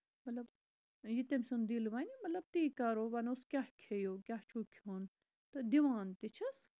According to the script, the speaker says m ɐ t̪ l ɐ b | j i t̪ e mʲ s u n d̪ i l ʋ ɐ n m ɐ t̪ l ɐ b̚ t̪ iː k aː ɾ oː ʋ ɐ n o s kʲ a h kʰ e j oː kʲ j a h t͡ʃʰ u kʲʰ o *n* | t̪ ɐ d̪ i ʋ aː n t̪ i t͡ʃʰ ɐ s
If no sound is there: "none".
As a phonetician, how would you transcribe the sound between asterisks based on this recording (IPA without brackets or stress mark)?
n